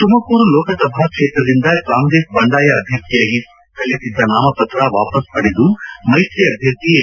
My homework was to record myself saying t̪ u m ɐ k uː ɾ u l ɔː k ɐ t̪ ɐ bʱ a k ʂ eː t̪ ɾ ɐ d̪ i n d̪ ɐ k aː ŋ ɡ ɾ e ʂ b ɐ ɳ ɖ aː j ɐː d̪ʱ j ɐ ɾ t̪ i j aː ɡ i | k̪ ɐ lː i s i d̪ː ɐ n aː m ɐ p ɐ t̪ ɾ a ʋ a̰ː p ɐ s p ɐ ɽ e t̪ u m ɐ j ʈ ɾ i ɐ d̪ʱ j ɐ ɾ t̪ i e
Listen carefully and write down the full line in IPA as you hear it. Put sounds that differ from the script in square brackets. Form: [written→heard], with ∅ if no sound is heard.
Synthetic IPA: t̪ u m ɐ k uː ɾ u l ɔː k ɐ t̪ ɐ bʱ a k ʂ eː t̪ ɾ ɐ d̪ i n d̪ ɐ k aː ŋ ɡ ɾ e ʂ b ɐ ɳ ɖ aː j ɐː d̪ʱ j ɐ ɾ t̪ i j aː ɡ i | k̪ ɐ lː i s i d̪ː ɐ n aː m ɐ p ɐ t̪ ɾ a ʋ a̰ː p ɐ s p ɐ ɽ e [t̪→d̪] u m ɐ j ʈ ɾ i ɐ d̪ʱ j ɐ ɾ t̪ i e